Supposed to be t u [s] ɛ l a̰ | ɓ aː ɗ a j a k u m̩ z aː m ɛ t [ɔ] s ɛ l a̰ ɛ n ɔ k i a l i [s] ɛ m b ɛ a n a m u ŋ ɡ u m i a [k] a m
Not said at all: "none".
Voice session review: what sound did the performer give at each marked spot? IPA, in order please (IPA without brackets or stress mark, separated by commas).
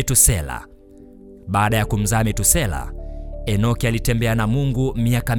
s, u, t, k